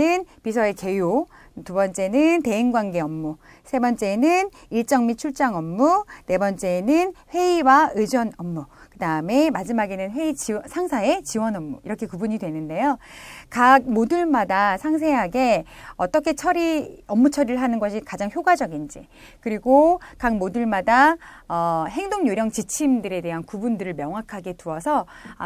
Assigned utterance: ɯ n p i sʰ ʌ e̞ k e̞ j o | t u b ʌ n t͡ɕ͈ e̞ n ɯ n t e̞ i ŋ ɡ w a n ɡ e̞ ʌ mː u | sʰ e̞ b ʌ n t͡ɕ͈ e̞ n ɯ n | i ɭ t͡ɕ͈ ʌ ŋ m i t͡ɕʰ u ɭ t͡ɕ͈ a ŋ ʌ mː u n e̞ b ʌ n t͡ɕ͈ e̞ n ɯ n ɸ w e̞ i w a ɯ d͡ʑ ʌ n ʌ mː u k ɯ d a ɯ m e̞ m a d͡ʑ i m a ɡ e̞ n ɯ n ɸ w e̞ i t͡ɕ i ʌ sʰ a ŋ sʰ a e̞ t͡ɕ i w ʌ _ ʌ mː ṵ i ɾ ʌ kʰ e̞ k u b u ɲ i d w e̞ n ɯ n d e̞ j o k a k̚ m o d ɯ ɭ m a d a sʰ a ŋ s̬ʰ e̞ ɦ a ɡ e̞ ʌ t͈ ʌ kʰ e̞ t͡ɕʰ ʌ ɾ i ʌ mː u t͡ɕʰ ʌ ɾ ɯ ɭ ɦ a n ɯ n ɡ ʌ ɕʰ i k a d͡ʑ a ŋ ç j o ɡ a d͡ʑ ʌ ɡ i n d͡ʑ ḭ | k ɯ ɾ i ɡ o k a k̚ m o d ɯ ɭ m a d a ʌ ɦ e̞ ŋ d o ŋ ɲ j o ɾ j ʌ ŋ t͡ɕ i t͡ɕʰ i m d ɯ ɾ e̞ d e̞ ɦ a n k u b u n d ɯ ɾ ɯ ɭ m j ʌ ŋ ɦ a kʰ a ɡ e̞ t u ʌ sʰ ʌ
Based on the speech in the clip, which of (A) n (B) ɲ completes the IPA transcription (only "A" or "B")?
A